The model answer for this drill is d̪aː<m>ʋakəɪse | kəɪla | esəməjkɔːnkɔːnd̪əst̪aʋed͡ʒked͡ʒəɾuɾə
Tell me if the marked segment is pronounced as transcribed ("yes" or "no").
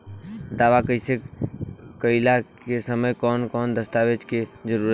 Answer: no